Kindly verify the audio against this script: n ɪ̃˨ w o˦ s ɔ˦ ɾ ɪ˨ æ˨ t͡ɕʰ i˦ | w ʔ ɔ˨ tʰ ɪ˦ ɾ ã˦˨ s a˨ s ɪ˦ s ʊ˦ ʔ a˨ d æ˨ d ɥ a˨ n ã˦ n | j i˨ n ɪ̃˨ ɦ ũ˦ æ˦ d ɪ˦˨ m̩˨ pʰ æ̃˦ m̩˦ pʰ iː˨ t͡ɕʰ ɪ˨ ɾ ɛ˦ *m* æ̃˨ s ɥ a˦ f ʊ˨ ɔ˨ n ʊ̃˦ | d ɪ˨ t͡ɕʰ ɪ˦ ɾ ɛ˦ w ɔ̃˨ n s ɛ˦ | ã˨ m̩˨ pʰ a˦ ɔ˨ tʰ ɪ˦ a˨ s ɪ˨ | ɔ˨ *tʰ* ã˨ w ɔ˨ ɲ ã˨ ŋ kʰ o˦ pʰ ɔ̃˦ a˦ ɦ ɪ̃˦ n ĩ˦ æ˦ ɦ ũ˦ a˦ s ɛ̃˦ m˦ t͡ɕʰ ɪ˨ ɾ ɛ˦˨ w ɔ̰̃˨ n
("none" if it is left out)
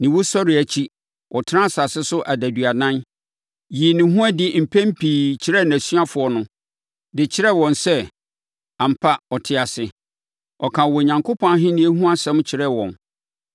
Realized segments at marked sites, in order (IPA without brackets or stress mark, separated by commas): n, kʰ